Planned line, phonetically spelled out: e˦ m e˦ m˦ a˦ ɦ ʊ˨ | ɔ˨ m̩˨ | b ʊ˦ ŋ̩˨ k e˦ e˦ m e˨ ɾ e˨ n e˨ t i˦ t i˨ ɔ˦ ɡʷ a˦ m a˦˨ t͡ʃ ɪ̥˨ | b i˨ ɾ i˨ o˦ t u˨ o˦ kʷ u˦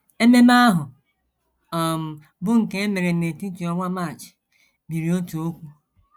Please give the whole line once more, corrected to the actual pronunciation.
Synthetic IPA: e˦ m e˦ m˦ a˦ ɦ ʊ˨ | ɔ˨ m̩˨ | b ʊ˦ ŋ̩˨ k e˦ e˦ m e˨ ɾ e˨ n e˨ t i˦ t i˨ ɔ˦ ŋʷ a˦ m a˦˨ t͡ʃ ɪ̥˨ | b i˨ ɾ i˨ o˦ t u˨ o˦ kʷ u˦